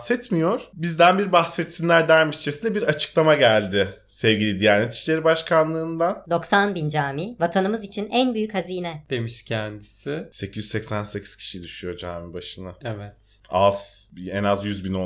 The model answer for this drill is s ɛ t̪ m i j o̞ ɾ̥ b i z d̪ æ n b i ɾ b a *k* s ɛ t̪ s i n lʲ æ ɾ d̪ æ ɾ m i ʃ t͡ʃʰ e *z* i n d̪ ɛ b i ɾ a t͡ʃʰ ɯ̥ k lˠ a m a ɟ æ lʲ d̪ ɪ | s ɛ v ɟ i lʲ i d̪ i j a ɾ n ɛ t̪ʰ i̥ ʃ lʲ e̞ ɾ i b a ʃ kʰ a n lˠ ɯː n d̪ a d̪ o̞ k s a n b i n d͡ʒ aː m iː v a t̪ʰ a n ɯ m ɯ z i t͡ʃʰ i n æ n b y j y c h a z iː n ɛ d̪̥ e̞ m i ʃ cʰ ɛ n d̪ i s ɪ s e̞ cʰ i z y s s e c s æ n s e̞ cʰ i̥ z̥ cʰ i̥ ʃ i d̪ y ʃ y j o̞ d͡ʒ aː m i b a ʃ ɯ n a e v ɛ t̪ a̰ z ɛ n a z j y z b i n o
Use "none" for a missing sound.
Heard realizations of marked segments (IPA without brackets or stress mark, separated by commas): x, s